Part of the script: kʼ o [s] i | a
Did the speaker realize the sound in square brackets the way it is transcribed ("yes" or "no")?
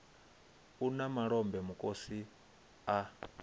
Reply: yes